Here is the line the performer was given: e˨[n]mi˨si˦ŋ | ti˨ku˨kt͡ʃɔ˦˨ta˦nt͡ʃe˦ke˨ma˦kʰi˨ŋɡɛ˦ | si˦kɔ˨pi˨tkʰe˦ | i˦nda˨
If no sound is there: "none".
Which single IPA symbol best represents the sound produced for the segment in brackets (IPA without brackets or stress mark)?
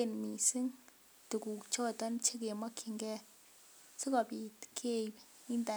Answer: n